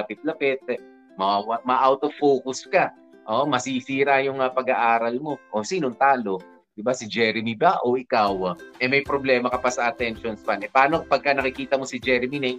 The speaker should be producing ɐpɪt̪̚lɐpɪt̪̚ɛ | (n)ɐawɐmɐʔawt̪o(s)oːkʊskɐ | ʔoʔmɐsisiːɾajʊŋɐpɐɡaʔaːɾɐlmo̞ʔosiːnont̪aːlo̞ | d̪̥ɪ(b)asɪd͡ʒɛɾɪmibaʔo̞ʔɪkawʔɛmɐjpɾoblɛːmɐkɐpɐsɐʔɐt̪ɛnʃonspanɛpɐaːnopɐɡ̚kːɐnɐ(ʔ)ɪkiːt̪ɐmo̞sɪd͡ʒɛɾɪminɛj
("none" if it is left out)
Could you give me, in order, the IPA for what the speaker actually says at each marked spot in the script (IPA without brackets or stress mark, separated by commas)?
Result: m, f, b, k